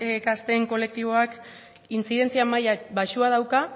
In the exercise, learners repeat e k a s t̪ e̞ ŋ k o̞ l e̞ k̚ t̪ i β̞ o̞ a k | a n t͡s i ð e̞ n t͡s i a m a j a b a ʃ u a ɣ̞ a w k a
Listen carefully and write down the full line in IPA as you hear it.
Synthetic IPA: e k a s t̪ e̞ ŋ k o̞ l e̞ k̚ t̪ i β̞ o̞ a k | i n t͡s i ð e̞ n t͡s i a m a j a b a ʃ u a ð̞ a w k a